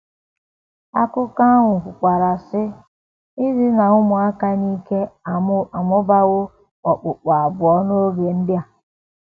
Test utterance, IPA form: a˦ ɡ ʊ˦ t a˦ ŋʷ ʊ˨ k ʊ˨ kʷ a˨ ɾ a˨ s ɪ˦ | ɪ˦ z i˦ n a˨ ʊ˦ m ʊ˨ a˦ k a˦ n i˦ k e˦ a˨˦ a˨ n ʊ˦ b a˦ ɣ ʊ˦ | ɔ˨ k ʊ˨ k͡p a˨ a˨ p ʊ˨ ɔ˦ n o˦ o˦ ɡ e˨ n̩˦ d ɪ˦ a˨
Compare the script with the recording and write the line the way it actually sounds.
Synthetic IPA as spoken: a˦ k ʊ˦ k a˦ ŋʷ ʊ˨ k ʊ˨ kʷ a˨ ɾ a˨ s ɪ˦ | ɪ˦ z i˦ n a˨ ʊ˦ m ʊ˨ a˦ k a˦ n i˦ k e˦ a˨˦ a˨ m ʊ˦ b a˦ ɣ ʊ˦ | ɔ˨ k͡p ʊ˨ k͡p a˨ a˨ b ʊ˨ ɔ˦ n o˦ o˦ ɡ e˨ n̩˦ d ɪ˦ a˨